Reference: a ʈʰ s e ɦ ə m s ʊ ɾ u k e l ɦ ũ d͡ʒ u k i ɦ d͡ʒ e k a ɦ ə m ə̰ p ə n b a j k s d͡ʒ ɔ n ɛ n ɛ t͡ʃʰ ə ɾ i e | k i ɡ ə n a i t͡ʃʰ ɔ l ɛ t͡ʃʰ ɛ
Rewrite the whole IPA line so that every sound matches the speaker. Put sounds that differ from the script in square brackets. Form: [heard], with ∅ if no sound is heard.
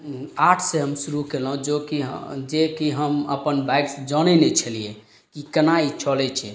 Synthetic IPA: a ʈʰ s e ɦ ə m s [u] ɾ u k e l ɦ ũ d͡ʒ [o] k i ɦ d͡ʒ e k [i] ɦ ə m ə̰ p ə n b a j k s d͡ʒ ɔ n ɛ n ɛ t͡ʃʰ ə [l] i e | k i [k] ə n a i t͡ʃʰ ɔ l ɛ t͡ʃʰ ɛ